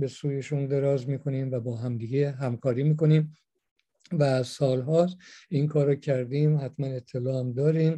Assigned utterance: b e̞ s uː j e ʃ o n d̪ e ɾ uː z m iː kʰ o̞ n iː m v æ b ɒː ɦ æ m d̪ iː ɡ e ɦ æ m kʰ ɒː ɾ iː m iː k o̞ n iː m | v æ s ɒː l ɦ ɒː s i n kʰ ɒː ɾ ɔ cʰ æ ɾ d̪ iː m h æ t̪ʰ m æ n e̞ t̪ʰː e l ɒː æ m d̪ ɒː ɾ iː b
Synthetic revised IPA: b e̞ s uː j e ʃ u n d̪ e ɾ ɒː z m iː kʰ o̞ n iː m v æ b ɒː ɦ æ m d̪ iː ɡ e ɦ æ m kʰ ɒː ɾ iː m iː k o̞ n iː m | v æ s ɒː l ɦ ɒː s i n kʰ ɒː ɾ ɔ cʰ æ ɾ d̪ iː m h æ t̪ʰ m æ n e̞ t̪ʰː e l ɒː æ m d̪ ɒː ɾ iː m